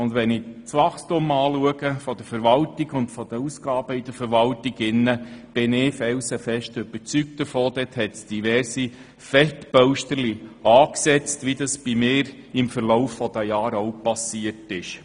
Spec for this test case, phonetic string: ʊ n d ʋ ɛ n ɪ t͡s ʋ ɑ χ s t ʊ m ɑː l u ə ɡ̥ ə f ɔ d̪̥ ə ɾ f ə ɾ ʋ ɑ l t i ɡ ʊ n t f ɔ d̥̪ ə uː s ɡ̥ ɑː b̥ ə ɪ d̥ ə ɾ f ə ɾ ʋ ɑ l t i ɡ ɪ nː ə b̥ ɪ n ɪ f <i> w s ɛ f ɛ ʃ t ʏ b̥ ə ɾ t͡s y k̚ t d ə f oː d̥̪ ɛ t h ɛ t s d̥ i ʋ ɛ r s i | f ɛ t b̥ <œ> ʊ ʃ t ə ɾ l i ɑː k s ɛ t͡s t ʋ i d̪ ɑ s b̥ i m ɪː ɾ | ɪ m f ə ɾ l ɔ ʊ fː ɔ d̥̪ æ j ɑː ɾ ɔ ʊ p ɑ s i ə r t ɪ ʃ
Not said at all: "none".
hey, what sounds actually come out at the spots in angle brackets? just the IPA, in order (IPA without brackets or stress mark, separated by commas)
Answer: ɛ, œ